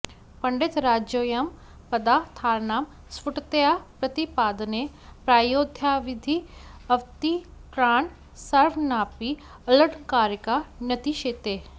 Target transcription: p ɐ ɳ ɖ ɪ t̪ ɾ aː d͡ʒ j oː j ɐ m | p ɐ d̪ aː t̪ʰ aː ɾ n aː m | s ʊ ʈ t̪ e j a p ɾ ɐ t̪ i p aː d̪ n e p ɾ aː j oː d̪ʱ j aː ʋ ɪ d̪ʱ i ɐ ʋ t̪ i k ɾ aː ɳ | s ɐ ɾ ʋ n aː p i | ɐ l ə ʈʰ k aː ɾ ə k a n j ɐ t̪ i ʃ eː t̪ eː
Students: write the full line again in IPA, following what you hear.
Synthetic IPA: p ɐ ɳ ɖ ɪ t̪ ɾ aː d͡ʒ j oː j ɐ m | p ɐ d̪ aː t̪ʰ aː ɾ n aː m | s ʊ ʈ t̪ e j a p ɾ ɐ t̪ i p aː d̪ n e p ɾ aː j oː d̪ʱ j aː ʋ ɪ d̪ʱ i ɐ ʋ t̪ i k ɾ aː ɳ | s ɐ ɾ ʋ n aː p i | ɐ l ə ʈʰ k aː ɾ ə k a n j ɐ t̪ i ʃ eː t̪ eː